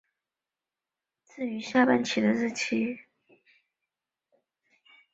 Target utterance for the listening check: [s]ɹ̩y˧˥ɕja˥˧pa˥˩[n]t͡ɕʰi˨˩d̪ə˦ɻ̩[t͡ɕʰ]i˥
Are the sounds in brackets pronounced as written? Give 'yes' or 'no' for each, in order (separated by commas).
no, yes, yes